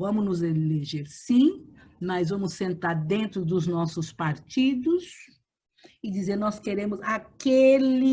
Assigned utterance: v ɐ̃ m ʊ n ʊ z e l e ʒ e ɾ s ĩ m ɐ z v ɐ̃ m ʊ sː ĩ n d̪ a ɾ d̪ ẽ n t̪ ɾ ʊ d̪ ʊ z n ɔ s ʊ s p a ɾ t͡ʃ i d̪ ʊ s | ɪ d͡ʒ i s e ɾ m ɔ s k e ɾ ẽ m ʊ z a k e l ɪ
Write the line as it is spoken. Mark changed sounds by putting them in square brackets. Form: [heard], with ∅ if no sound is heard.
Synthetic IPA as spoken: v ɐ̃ m ʊ n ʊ z e l e ʒ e ɾ s ĩ m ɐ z v ɐ̃ m ʊ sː [ẽ] n [t̪] a ɾ d̪ ẽ n t̪ ɾ ʊ d̪ ʊ z n ɔ s ʊ s p a ɾ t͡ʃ i d̪ ʊ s | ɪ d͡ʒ i [z] e ɾ [n] ɔ s k e ɾ ẽ m ʊ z a k e l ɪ